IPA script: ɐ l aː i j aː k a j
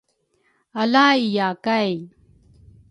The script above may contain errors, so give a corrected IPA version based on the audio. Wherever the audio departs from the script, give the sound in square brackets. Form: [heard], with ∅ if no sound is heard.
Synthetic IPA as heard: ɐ l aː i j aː k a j